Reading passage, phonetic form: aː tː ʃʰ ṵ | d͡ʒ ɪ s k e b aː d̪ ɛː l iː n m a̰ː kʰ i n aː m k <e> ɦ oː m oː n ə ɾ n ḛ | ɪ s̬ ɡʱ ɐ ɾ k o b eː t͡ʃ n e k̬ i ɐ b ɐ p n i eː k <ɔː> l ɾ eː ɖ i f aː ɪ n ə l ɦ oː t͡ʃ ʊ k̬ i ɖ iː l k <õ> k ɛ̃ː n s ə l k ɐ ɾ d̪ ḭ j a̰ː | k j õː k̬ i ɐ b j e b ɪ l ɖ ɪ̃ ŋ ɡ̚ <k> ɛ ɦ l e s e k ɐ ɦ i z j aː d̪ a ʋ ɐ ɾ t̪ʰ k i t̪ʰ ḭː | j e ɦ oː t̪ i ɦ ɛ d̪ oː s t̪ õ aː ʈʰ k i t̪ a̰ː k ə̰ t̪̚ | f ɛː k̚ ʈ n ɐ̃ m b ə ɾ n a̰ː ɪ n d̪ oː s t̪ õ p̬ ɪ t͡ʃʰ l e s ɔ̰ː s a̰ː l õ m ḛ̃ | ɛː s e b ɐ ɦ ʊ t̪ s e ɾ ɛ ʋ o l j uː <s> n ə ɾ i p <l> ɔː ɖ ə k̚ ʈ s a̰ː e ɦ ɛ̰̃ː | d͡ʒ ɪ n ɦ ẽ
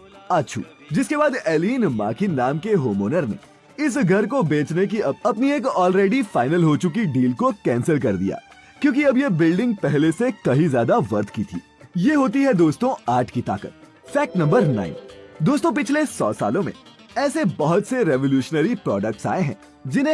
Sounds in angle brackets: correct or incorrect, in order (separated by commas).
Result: correct, correct, incorrect, incorrect, incorrect, incorrect